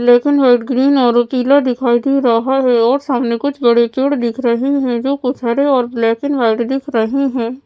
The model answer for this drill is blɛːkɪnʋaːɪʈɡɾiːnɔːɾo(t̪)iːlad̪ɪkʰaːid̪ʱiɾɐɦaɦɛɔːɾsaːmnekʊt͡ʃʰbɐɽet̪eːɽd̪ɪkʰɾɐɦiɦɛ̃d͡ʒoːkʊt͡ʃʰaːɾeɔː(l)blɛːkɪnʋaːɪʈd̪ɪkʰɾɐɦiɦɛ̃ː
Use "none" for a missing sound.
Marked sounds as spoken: t̪, ɾ

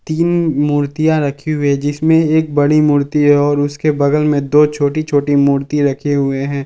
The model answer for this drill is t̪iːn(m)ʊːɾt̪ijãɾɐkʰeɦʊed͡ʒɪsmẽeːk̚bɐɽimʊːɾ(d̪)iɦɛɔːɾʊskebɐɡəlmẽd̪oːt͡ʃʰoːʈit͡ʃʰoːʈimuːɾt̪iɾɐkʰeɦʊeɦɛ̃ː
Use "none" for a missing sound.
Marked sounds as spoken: m, t̪

